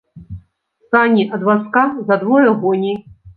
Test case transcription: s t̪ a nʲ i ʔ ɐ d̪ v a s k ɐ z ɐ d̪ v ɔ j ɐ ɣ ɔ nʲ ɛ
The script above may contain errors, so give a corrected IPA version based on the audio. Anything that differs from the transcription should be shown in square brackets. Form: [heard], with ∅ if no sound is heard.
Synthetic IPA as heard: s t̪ a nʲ i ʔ ɐ d̪ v a s k [a] z ɐ d̪ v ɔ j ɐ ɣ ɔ nʲ [i]